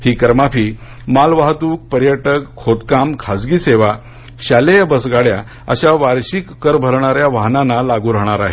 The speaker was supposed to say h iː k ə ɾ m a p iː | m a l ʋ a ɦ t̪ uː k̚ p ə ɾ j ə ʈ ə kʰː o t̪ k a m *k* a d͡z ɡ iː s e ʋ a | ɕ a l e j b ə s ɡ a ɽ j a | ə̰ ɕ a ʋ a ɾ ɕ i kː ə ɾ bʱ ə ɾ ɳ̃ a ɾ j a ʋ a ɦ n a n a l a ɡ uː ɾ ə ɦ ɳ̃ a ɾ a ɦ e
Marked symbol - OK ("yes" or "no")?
no